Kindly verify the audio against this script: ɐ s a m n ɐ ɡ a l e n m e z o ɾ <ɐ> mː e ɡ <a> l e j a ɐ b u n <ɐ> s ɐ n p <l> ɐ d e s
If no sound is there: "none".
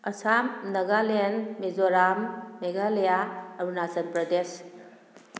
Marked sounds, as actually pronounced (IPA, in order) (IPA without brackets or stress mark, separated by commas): a, a, a, ɾ